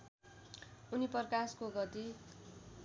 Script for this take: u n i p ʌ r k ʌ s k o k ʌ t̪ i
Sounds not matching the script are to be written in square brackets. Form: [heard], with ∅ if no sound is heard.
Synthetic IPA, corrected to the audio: u n i p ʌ r k [a] s k o [ɡ] ʌ t̪ i